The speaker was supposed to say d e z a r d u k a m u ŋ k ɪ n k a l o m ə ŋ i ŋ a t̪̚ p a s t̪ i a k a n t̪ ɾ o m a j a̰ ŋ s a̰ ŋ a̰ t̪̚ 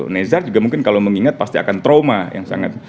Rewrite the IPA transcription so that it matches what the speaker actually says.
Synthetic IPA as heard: n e z a r d͡ʒ u ɡ a m u ŋ k ɪ n k a l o m ə ŋ i ŋ a t̪̚ p a s t̪ i a k a n t̪ ɾ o m a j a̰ ŋ s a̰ ŋ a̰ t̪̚